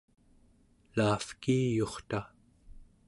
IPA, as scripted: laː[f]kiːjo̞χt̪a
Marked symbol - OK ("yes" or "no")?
yes